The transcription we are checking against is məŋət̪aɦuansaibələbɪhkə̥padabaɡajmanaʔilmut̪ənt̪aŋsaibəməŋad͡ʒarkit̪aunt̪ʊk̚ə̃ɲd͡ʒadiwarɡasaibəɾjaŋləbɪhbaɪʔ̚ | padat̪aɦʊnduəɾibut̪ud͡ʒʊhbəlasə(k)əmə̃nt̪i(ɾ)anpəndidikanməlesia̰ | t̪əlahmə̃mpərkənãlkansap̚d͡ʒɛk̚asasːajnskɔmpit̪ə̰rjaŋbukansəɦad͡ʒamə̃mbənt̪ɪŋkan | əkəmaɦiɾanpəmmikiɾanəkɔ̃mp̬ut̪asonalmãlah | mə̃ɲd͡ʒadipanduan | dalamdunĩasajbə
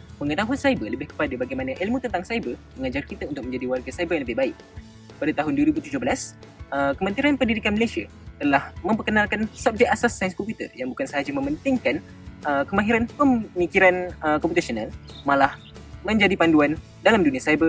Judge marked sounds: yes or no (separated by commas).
yes, yes